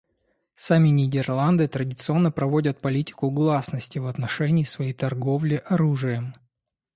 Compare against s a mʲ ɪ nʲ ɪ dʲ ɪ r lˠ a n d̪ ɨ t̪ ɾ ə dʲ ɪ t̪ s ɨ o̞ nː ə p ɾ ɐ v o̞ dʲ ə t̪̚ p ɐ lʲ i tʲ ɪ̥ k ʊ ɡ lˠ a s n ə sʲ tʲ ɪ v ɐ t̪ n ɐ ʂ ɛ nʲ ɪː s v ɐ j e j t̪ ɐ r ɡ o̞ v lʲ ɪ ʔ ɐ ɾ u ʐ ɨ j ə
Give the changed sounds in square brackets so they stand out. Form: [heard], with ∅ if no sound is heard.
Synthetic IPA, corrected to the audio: s a mʲ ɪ nʲ ɪ dʲ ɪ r lˠ a n d̪ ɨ t̪ ɾ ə dʲ ɪ t̪ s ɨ o̞ nː ə p ɾ ɐ v o̞ dʲ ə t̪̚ p ɐ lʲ i tʲ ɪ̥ k ʊ ɡ lˠ a s n ə sʲ tʲ ɪ v ɐ t̪ n ɐ ʂ ɛ nʲ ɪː s v ɐ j e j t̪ ɐ r ɡ o̞ v lʲ ɪ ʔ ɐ ɾ u ʐ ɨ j ə